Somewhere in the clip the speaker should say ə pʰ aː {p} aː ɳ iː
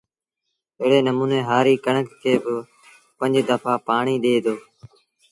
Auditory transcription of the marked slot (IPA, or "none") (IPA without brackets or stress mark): p